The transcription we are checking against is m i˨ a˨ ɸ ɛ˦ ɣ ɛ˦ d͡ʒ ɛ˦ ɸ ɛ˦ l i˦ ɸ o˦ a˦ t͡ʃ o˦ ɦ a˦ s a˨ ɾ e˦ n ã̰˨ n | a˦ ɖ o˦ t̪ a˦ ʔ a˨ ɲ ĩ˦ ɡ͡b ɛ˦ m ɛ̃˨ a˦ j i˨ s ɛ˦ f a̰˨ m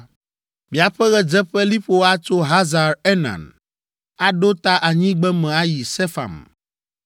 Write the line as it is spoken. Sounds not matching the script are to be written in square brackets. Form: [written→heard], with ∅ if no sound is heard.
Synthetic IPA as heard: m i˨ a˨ ɸ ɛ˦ ɣ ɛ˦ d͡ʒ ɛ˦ ɸ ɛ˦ l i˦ ɸ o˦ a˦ t͡ʃ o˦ ɦ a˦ [s→z] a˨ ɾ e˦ n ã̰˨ n | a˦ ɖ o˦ t̪ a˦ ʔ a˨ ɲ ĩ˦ ɡ͡b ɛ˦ m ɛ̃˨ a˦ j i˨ s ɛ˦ f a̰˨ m